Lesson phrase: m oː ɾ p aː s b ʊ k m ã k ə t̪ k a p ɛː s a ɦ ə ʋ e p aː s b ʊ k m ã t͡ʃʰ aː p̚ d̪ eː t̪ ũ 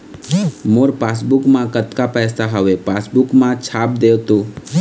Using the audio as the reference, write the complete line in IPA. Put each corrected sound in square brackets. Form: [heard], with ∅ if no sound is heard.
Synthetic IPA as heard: m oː ɾ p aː s b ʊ k m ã k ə t̪ k a p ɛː s a ɦ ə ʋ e p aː s b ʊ k m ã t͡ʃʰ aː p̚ d̪ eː t̪ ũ